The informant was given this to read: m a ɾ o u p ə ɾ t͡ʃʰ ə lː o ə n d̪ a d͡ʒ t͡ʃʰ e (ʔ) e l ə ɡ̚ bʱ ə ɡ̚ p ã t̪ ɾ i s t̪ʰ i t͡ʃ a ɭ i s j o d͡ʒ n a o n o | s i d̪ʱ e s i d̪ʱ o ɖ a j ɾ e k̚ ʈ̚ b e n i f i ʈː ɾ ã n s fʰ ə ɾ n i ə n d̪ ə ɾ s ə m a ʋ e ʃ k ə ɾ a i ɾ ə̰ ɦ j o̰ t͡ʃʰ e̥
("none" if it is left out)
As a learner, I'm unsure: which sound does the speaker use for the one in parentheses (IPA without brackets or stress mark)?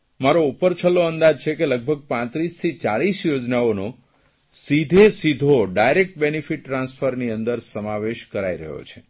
k